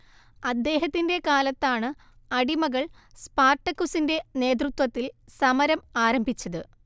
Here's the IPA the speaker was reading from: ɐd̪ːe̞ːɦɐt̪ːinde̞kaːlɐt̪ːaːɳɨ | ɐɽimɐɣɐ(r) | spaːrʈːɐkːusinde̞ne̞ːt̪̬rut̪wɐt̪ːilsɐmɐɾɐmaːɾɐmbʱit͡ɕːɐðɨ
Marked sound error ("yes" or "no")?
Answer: yes